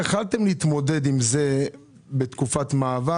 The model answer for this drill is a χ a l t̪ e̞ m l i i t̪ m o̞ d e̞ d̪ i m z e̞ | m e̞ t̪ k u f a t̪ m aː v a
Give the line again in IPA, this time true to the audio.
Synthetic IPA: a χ a l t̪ e̞ m l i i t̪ m o̞ d e̞ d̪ i m z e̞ | b e̞ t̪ k u f a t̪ m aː v a

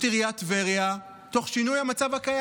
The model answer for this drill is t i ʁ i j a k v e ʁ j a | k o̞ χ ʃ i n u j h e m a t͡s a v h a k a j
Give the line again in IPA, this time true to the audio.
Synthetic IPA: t i ʁ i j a t v e ʁ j a | t o̞ χ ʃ i n u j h a m a t͡s a v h a k a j

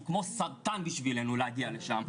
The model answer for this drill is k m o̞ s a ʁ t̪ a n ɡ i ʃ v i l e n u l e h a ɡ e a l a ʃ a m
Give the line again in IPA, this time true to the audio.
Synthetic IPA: k m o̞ s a ʁ t̪ a n b i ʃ v i l e n u l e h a ɡ i a l e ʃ a m

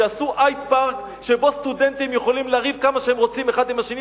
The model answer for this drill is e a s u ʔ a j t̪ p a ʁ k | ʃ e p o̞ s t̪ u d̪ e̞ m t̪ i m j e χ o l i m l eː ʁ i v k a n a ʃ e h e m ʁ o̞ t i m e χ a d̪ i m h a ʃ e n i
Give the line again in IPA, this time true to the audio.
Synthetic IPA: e a s u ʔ a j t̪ p a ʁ k | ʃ e b o̞ s t̪ u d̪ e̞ n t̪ i m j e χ o l i m l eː ʁ i v k a m a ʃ e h e m ʁ o̞ t͡s i m e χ a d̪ i m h a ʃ e n i

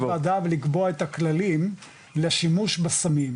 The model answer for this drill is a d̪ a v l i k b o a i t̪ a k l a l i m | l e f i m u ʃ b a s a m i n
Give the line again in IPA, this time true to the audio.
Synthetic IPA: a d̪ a v l i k b o a e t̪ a k l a l i m | l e ʃ i m u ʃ b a s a m i m

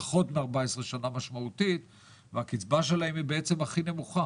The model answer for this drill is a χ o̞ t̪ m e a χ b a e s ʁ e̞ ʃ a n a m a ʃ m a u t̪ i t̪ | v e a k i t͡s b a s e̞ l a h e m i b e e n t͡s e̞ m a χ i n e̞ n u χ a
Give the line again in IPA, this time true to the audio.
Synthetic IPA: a χ o̞ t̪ m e a ʁ b a e s ʁ e̞ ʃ a n a m a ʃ m a u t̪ i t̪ | v e a k i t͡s b a ʃ e̞ l a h e m i b e e t͡s e̞ m a χ i n e̞ m u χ a

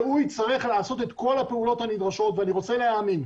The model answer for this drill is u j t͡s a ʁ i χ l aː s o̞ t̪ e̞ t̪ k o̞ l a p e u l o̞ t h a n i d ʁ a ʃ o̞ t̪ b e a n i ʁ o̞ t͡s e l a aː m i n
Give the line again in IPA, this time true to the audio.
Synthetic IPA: u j t͡s a ʁ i χ l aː s o̞ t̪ e̞ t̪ k o̞ l a p e u l o̞ t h a n i d ʁ a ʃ o̞ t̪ v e a n i ʁ o̞ t͡s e l e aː m i n

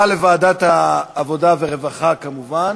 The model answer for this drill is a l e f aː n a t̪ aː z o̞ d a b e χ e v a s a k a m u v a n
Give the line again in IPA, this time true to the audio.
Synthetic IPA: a l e v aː d a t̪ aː v o̞ d a v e ʁ e v a χ a k a m u v a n

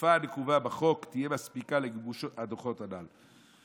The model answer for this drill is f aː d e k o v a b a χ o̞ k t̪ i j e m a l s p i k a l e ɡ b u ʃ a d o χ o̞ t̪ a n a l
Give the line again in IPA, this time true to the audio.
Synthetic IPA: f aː n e k u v a b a χ o̞ k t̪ i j e m a s p i k a l e ɡ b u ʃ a d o χ o̞ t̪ a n a l

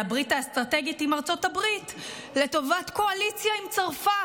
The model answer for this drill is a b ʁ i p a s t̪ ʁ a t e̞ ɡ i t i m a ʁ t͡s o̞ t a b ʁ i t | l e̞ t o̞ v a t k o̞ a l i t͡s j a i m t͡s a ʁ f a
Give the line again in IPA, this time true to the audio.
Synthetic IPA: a b ʁ i t a s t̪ ʁ a t e̞ ɡ i t i m a ʁ t͡s o̞ t a b ʁ i t | l e̞ t o̞ v a t k o̞ a l i t͡s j a i m t͡s a ʁ f a

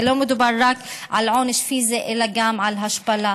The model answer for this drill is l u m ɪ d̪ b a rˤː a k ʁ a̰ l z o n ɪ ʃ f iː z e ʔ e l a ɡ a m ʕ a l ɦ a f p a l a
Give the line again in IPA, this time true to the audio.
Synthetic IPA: l o m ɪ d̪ b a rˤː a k ʕ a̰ l ʕ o n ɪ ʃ f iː z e ʔ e l a ɡ a m ʕ a l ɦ a ʃ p a l a

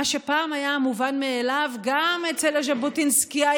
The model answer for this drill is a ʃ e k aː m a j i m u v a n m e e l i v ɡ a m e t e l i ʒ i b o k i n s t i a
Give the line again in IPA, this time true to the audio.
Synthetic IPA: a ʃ e p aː m a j a m u v a n m e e l a v ɡ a m e t͡s e l a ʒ a b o t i n s k i a

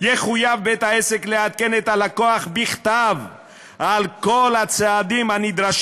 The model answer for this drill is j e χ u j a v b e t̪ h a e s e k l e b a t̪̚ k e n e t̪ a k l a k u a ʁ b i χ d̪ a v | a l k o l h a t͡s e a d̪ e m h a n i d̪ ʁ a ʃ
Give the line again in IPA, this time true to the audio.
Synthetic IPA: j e χ u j a v b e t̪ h a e s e k l e a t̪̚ k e n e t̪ a l a k o a χ b i χ t̪ a v | a l k o l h a t͡s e a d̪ i m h a n i d̪ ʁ a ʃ

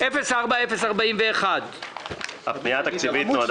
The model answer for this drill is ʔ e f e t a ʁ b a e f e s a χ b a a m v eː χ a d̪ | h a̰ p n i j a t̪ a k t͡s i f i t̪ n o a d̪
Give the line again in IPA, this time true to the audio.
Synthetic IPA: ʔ e f e s a ʁ b a e f e s a ʁ b a i m v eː χ a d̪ | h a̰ p n i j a t̪ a k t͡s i v i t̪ n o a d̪

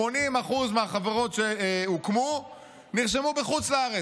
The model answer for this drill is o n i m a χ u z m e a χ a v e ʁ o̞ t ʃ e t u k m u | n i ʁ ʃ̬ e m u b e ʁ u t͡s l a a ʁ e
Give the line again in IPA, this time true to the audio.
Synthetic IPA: o n i m a χ u z m e a χ a v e ʁ o̞ t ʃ e u k m u | n i ʁ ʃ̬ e m u b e χ u t͡s l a a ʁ e

